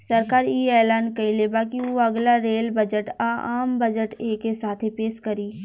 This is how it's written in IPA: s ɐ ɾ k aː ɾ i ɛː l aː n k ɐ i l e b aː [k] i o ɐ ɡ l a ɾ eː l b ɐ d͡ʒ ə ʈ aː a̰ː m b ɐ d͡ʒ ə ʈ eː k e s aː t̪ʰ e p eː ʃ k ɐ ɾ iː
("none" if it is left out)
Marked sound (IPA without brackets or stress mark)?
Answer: k